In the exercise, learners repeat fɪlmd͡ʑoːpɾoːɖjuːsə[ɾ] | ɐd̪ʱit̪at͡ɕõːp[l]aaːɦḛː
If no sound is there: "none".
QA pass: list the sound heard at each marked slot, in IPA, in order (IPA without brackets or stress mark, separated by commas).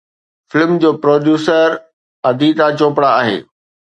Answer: ɾ, ɽ